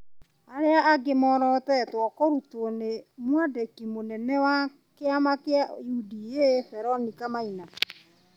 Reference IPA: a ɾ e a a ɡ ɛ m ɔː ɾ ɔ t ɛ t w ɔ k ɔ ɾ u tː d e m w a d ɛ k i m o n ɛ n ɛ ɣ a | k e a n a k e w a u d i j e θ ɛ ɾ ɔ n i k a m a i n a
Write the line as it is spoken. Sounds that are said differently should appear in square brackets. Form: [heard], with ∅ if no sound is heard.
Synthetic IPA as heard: a ɾ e a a ɡ [e] m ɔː ɾ ɔ t ɛ t w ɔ k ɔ ɾ u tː [n] e m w a d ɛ k i m o n ɛ n ɛ [w] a | k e a [m] a k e [∅] a u d i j e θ ɛ ɾ ɔ n i k a m a i n a